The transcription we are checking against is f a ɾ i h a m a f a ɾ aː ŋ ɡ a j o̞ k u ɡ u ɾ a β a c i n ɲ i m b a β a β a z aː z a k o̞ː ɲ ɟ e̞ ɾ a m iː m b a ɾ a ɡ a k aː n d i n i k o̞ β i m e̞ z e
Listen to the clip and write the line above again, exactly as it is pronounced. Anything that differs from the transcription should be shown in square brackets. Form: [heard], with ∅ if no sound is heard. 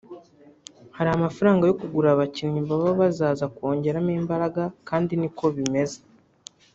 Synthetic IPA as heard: [h] a ɾ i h a m a f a ɾ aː ŋ ɡ a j o̞ k u ɡ u ɾ a β a c i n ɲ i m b a β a β a z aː z a k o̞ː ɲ ɟ e̞ ɾ a m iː m b a ɾ a ɡ a k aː n d i n i k o̞ β i m e̞ z e